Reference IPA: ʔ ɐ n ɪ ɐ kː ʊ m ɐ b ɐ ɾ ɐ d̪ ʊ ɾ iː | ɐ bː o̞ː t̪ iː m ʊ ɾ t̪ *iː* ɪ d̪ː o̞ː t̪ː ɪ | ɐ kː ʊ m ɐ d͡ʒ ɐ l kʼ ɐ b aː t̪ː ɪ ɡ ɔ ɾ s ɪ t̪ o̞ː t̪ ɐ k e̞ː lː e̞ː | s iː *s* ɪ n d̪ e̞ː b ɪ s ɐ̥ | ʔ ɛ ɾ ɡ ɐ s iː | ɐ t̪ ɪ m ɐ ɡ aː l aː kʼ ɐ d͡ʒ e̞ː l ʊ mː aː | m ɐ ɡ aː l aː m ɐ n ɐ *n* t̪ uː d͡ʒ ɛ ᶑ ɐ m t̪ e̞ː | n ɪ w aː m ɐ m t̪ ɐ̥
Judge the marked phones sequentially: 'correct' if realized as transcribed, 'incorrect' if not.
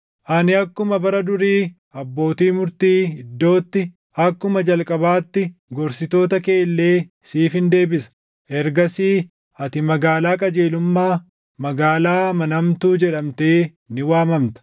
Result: correct, incorrect, incorrect

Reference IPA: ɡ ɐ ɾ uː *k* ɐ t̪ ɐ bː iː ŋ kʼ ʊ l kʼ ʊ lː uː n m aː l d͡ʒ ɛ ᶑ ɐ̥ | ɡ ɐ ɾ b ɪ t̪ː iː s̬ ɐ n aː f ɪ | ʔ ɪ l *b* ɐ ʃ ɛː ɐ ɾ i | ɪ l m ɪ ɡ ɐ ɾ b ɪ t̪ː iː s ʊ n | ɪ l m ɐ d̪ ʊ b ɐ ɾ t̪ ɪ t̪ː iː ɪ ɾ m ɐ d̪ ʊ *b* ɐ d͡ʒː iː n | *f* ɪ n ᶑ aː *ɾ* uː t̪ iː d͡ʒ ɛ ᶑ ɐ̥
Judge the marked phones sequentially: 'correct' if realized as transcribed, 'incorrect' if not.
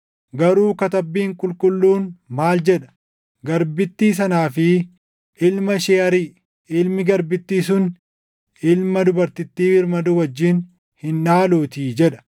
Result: correct, incorrect, incorrect, incorrect, incorrect

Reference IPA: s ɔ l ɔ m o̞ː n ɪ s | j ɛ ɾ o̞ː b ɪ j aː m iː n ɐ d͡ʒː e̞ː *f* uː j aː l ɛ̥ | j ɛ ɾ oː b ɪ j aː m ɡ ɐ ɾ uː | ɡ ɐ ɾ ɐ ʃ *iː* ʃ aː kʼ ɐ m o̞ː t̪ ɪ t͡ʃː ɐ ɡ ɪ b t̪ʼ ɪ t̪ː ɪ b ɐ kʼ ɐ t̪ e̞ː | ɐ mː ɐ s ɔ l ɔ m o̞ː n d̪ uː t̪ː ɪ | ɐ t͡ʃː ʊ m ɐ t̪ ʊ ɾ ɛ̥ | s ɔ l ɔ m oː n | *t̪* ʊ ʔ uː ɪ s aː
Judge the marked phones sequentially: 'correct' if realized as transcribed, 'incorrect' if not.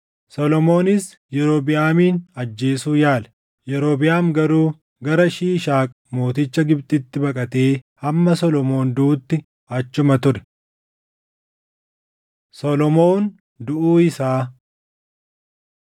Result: incorrect, correct, incorrect

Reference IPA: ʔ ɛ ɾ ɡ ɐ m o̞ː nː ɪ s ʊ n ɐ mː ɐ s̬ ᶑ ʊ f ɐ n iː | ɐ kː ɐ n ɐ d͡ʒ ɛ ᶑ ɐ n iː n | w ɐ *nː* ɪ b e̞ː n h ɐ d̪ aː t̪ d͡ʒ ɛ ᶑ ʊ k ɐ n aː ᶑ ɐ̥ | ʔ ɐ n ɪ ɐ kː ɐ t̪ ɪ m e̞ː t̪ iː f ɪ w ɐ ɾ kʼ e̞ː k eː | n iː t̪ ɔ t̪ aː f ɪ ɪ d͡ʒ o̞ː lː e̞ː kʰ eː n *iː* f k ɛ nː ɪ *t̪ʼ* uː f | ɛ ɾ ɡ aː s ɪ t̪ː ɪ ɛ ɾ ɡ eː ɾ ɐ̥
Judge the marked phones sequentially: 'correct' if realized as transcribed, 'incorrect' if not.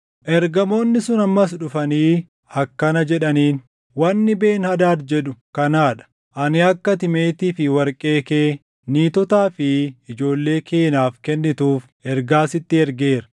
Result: correct, incorrect, incorrect

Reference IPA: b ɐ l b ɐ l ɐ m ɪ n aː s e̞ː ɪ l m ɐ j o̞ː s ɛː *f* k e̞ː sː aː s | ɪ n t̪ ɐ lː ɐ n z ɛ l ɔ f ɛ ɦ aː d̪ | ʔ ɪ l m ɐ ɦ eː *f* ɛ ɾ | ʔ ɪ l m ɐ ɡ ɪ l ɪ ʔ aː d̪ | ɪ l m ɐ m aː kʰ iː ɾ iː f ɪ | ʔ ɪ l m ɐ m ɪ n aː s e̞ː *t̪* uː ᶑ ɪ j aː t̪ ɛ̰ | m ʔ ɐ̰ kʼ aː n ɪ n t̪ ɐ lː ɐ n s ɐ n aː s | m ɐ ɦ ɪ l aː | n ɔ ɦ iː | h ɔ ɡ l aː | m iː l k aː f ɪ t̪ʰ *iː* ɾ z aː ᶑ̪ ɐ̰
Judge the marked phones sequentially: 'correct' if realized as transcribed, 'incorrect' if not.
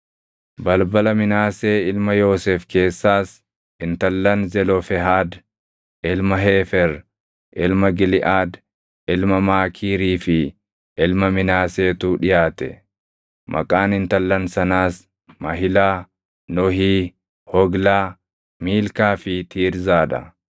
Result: correct, correct, correct, correct

